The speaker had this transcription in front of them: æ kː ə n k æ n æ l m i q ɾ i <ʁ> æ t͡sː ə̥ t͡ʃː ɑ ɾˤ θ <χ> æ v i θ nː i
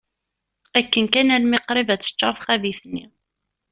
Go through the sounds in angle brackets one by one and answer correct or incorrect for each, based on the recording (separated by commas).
incorrect, correct